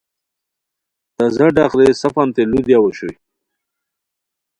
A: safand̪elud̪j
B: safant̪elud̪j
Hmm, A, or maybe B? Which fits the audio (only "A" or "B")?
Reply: B